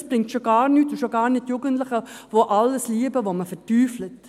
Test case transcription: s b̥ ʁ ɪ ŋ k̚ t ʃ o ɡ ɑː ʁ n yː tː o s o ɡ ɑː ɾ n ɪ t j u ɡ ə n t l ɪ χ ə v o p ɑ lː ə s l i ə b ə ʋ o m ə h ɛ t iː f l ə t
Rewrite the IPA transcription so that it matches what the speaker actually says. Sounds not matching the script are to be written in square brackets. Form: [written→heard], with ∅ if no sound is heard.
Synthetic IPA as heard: s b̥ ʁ ɪ ŋ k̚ t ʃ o ɡ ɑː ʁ n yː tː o [s→ʃ] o ɡ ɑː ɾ n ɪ t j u ɡ ə n t l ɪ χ ə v o [p→ʔ] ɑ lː ə s l i ə b ə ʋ o m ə [h→f] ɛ t [iː→yː] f l ə t